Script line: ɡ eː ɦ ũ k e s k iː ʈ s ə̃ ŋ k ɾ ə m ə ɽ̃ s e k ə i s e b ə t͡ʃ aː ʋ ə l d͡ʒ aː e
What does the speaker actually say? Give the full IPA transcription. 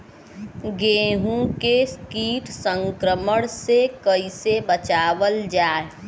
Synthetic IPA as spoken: ɡ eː ɦ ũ k e s k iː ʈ s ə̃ ŋ k ɾ ə m ə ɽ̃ s e k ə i s e b ə t͡ʃ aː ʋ ə l d͡ʒ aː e

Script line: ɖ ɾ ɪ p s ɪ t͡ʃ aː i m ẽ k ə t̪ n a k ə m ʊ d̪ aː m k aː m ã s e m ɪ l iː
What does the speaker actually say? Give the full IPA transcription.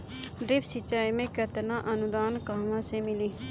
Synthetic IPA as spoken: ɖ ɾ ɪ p s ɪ t͡ʃ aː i m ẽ k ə t̪ n a ʔ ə n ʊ d̪ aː n k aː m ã s e m ɪ l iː

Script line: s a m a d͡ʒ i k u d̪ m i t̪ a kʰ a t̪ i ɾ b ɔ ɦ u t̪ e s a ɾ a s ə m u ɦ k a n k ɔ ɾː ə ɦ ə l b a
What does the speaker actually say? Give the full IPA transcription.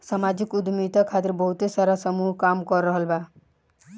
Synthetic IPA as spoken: s a m a d͡ʒ i k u d̪ m i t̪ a kʰ a t̪ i ɾ b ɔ ɦ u t̪ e s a ɾ a s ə m u ɦ k a m k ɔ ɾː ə ɦ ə l b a

